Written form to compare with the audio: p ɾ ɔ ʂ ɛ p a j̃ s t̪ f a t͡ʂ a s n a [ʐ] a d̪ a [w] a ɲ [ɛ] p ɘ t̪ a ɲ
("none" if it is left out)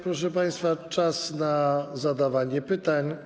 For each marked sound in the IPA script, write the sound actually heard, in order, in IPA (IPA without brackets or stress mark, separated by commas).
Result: z, v, ɛ